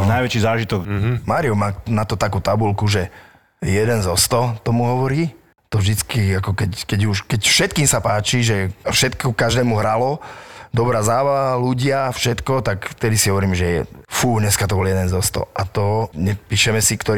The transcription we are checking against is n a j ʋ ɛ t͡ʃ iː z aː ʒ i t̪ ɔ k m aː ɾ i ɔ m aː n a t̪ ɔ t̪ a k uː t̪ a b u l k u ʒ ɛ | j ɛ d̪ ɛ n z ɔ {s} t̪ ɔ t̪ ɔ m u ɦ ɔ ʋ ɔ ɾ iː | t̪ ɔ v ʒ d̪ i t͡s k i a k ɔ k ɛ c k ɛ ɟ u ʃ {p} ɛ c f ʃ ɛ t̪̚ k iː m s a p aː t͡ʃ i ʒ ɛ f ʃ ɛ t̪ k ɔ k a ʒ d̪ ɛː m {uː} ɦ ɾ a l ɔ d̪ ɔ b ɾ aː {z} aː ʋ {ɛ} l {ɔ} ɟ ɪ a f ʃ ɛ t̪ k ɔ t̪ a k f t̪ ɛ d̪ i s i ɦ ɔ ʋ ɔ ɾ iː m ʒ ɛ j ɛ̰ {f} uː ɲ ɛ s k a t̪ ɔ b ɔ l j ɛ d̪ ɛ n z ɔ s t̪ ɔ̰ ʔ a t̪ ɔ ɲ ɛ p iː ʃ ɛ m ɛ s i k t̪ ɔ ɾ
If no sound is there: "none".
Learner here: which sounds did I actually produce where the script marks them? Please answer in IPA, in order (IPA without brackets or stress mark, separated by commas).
s, k, u, z, a, u, f